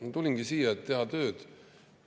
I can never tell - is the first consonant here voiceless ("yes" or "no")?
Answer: yes